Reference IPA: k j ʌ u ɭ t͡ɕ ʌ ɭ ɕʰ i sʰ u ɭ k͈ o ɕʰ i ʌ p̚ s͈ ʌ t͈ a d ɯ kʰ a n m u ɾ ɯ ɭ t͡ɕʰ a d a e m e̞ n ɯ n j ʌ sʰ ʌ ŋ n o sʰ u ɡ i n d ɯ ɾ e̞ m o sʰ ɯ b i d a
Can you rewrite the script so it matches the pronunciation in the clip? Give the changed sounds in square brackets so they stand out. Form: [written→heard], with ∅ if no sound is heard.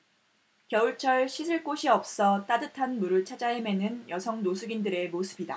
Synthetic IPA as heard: k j ʌ u ɭ [t͡ɕ→t͡ɕʰ] ʌ ɭ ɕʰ i sʰ [u→ɯ] ɭ k͈ o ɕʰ i ʌ p̚ s͈ ʌ t͈ a d ɯ [kʰ→tʰ] a n m u ɾ ɯ ɭ t͡ɕʰ a [d→d͡ʑ] a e m e̞ n ɯ n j ʌ sʰ ʌ ŋ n o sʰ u ɡ i n d ɯ ɾ e̞ m o sʰ ɯ b i d a